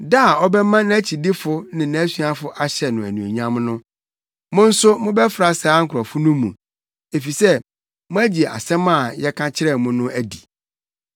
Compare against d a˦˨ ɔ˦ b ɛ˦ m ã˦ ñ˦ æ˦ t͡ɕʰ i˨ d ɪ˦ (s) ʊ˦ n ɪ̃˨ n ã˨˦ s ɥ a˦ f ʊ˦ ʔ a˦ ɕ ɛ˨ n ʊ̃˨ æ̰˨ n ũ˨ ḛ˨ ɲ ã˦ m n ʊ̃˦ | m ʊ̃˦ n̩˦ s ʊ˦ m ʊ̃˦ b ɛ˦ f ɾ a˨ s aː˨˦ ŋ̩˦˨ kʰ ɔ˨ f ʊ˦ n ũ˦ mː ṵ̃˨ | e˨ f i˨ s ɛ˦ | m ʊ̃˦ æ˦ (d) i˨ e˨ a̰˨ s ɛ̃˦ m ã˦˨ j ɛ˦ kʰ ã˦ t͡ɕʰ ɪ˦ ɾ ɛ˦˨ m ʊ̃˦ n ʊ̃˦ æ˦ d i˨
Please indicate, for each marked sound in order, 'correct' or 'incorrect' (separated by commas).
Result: incorrect, incorrect